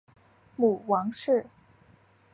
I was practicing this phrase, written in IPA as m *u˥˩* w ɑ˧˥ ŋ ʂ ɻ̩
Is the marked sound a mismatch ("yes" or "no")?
yes